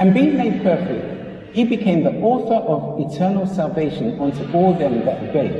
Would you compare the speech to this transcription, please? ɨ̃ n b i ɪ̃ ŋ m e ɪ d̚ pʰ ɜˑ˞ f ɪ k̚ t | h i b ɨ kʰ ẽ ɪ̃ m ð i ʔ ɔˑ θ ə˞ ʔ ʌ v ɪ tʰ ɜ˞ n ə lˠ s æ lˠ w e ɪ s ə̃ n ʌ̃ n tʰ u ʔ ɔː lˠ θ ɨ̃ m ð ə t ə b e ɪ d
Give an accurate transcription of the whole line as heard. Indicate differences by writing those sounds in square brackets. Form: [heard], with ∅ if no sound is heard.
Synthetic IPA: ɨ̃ n b i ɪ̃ ŋ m e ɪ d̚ pʰ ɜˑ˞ f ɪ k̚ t | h i b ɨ kʰ ẽ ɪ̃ m ð i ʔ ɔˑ θ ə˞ ʔ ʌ v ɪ tʰ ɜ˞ n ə lˠ s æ lˠ [v] e ɪ [ʃ] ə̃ n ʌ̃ n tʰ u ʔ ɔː lˠ [ð] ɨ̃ m ð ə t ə b e ɪ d